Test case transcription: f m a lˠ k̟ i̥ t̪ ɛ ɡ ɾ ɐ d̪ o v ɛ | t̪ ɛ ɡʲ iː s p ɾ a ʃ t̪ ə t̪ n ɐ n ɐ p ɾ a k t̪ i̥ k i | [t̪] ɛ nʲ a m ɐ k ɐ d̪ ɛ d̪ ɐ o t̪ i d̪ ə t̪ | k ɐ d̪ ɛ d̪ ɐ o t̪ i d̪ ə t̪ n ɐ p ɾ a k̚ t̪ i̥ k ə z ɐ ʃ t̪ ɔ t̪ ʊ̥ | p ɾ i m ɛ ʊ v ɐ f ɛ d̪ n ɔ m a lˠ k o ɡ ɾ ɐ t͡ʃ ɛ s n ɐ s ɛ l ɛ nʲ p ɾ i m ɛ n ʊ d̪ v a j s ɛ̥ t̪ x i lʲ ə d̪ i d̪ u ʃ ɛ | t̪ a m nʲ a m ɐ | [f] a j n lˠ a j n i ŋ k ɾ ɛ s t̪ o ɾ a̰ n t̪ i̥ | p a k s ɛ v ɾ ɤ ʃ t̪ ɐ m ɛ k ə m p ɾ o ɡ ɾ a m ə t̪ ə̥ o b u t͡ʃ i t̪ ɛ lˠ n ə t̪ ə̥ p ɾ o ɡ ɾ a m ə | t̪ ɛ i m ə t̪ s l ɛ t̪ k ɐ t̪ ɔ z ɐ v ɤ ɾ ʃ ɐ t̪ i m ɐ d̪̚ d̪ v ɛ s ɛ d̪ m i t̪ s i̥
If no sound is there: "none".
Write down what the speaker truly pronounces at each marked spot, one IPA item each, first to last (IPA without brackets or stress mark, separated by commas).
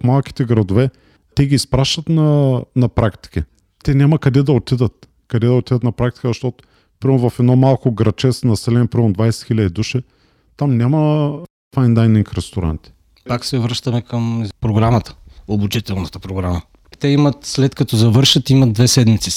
t̪, f